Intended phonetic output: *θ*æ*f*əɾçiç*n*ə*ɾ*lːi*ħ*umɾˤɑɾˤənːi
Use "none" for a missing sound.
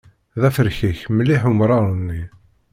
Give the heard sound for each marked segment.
ð, f, m, none, ħ

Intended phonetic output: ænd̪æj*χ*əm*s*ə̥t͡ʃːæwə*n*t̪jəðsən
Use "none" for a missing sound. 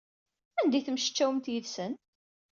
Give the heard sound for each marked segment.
θ, ʃ, m

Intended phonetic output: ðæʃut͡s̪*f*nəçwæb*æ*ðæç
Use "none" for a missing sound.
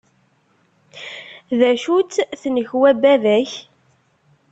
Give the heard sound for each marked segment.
θ, æ

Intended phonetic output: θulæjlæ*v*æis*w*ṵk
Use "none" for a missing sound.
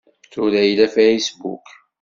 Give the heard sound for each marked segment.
f, b

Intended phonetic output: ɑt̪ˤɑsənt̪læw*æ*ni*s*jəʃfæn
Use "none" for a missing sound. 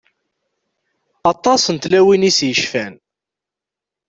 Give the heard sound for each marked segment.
i, s

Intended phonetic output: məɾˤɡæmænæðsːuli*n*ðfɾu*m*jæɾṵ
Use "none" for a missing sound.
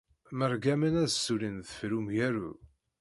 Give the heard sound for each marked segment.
n, m

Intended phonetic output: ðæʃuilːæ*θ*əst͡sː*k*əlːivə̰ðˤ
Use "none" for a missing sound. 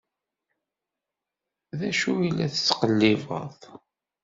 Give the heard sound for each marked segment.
θ, q

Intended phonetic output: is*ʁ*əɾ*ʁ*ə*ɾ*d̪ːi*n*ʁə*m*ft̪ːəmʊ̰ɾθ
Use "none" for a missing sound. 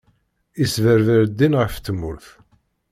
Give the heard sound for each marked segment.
v, v, ɾ, n, none

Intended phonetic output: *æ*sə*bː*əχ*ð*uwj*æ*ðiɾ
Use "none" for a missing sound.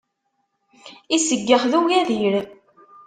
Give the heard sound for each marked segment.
i, ɡː, ð, æ

